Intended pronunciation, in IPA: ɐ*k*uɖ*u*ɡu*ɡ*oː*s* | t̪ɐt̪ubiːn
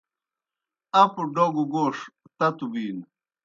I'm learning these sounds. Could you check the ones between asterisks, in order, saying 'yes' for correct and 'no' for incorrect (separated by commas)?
no, no, yes, no